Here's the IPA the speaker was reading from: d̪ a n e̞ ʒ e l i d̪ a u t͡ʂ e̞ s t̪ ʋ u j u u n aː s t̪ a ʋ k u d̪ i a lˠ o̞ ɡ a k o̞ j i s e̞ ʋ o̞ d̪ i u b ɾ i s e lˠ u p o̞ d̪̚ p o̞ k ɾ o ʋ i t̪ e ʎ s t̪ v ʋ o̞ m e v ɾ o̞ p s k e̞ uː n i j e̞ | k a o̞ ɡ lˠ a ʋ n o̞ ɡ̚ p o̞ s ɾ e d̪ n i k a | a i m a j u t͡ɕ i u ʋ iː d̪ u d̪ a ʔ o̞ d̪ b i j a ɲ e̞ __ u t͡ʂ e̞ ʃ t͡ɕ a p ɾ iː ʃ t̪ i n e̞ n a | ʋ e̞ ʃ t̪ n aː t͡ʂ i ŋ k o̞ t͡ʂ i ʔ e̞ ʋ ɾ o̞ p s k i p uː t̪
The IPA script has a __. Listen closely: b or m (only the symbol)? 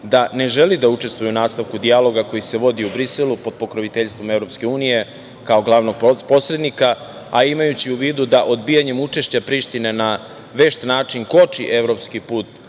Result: m